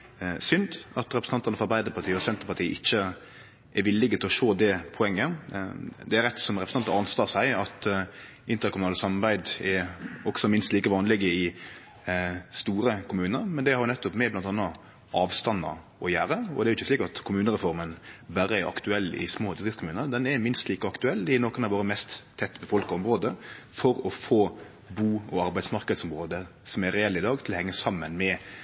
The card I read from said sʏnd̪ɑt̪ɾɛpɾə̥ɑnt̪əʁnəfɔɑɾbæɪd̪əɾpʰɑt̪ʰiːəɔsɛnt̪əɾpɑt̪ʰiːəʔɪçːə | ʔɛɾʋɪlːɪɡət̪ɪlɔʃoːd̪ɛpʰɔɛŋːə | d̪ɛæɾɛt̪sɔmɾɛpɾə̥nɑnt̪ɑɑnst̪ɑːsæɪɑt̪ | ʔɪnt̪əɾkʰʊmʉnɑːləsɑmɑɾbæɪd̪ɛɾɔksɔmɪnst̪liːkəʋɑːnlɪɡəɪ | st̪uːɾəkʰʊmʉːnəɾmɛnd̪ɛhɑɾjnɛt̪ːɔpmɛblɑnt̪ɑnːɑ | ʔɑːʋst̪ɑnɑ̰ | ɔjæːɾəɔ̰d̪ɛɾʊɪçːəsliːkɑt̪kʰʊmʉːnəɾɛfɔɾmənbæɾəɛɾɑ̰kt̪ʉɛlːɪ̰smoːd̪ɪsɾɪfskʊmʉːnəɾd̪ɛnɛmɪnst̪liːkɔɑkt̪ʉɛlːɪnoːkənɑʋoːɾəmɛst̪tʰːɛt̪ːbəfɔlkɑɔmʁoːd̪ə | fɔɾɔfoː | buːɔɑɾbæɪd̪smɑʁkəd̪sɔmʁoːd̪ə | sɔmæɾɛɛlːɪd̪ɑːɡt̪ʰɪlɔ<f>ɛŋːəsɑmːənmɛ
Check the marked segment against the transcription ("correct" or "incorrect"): incorrect